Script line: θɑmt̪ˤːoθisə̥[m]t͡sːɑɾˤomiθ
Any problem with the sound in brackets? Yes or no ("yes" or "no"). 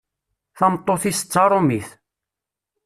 yes